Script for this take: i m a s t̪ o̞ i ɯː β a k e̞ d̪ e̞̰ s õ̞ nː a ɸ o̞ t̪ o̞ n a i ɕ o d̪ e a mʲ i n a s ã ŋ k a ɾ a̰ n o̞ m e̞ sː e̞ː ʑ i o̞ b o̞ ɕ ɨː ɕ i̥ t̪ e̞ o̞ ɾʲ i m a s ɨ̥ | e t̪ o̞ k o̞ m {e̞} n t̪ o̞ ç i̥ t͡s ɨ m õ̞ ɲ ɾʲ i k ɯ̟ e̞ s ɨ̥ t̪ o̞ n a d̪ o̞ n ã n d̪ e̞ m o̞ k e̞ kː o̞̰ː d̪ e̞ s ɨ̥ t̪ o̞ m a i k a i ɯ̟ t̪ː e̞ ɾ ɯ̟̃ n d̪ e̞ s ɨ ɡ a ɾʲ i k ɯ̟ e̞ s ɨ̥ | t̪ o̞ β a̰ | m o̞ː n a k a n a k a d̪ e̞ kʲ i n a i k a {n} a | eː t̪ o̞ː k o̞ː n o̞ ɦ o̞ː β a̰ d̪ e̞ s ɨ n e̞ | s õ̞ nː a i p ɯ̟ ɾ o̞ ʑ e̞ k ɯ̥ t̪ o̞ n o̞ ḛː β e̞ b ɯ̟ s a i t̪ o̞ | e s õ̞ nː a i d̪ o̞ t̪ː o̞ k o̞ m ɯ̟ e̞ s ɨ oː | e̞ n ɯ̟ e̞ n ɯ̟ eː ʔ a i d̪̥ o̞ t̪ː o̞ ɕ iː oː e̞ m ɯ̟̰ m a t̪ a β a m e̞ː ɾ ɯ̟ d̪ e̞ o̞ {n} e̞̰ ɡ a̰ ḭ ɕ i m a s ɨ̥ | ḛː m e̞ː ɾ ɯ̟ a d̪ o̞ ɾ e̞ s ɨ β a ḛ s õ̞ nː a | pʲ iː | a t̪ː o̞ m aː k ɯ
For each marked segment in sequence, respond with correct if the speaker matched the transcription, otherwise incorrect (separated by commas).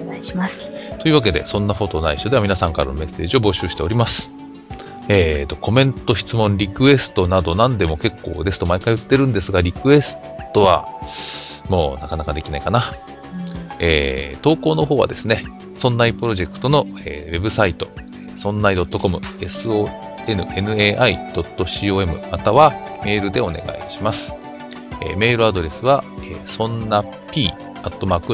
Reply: incorrect, correct, correct